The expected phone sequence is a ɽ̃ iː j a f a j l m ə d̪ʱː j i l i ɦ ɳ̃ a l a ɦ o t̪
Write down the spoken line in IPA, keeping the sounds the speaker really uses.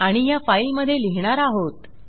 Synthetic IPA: a ɽ̃ i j a f a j l m ə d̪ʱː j e l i ɦ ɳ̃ a ɾ a ɦ o t̪